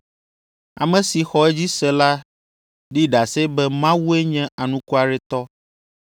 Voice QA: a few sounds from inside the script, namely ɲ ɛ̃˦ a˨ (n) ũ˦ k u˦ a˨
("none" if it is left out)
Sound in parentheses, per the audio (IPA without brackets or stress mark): n